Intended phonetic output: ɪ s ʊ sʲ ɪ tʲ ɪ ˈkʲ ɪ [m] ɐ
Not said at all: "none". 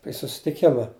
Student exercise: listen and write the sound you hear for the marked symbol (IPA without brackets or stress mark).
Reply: m